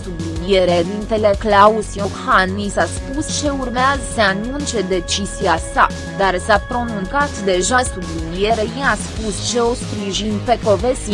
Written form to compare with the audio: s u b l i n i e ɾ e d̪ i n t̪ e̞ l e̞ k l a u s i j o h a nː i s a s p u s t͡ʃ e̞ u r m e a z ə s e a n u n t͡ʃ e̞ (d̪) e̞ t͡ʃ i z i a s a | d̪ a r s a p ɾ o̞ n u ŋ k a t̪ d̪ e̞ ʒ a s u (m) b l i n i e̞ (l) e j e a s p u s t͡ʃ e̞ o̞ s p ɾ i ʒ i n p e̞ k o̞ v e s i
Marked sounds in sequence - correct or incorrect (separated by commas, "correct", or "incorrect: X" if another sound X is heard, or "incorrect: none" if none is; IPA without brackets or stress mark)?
correct, incorrect: none, incorrect: ɾ